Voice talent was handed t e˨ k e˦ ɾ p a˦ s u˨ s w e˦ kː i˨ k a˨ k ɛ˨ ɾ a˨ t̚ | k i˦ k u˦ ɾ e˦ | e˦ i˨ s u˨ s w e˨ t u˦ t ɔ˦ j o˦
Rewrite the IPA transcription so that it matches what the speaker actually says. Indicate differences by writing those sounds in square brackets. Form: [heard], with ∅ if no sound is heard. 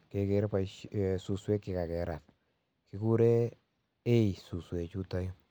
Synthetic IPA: [k] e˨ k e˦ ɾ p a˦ s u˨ s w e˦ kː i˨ k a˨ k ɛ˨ ɾ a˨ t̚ | k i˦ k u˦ ɾ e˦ | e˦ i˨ s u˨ s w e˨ [t͡ʃ] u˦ t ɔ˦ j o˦